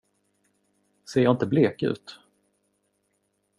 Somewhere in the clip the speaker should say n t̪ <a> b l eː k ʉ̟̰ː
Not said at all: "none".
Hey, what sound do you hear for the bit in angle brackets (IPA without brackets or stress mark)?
ə